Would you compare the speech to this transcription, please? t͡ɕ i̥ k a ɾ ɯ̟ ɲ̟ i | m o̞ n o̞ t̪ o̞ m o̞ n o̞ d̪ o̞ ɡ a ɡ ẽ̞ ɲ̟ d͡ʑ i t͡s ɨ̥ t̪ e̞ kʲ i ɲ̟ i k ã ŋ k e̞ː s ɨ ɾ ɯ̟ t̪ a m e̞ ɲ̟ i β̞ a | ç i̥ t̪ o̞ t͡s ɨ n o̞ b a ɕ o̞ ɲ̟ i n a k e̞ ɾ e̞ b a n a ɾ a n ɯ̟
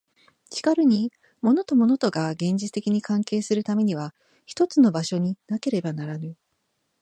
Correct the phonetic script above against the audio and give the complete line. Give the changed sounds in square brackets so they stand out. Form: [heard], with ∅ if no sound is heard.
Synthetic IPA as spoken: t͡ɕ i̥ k a ɾ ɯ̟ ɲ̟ i | m o̞ n o̞ t̪ o̞ m o̞ n o̞ [t̪] o̞ ɡ a ɡ ẽ̞ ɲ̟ d͡ʑ i t͡s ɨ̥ t̪ e̞ kʲ i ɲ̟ i k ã ŋ k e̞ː s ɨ ɾ ɯ̟ t̪ a m e̞ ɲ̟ i β̞ a | ç i̥ t̪ o̞ t͡s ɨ n o̞ b a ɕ o̞ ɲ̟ i n a k e̞ ɾ e̞ b a n a ɾ a n ɯ̟